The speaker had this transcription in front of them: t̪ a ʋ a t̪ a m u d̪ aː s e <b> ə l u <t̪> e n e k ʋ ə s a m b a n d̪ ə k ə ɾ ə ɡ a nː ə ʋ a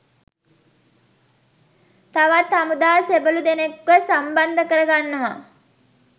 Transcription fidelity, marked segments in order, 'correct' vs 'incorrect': correct, incorrect: d̪

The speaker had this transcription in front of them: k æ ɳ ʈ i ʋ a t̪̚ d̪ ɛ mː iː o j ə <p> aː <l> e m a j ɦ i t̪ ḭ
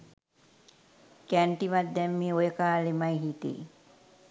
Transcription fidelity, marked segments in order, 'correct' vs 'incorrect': incorrect: k, correct

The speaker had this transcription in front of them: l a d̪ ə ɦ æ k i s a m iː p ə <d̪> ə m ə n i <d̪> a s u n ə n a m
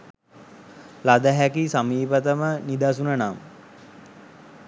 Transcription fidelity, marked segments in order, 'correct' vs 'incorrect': incorrect: t̪, correct

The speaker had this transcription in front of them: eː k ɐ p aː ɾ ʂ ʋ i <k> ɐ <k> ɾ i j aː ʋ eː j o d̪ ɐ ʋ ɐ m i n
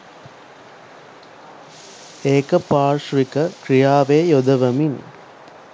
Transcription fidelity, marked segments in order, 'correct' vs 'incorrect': correct, correct

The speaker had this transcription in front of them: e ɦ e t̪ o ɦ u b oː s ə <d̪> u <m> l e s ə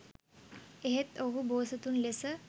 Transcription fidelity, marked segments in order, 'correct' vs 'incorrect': incorrect: t̪, incorrect: n

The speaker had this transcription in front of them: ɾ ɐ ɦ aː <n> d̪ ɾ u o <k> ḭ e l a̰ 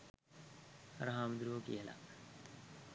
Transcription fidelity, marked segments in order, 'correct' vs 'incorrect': incorrect: m, correct

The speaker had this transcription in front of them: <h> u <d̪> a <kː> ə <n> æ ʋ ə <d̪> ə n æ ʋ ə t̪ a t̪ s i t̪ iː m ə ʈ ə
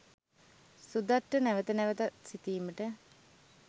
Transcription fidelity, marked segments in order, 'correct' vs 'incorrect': incorrect: s, correct, incorrect: ʈː, correct, incorrect: t̪

